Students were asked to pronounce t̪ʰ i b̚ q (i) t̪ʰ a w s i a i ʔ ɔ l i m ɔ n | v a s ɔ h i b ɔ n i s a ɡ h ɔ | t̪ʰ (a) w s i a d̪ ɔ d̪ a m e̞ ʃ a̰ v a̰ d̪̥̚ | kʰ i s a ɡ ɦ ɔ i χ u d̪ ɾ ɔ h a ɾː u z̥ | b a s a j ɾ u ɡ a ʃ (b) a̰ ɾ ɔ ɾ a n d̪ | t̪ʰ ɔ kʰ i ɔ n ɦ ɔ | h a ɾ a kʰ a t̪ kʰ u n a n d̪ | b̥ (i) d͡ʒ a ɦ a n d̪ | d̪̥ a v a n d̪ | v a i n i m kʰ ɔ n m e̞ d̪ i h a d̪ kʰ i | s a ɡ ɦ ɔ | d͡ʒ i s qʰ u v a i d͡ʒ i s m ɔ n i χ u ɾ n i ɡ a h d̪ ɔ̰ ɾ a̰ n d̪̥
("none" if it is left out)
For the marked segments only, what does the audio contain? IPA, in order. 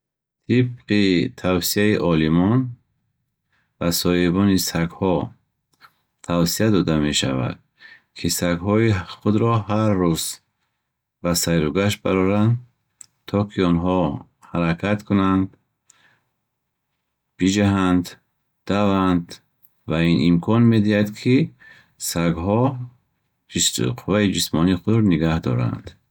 i, a, b, i

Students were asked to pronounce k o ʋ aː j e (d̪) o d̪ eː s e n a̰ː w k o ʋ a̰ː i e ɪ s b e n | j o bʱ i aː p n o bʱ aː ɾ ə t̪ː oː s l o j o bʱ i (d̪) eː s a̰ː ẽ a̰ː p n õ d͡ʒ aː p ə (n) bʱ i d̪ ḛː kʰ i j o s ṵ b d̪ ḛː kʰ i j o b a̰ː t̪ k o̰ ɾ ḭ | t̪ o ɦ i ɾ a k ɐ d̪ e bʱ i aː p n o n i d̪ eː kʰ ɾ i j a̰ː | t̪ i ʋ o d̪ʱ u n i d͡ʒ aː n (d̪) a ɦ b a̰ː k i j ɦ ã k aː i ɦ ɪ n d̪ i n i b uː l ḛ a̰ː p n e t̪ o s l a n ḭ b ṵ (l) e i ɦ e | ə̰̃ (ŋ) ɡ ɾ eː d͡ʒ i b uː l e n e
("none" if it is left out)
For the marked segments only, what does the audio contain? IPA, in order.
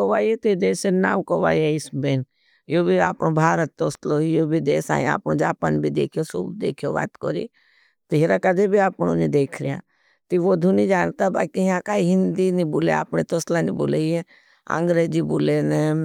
t̪, d̪, n, t̪, l, ŋ

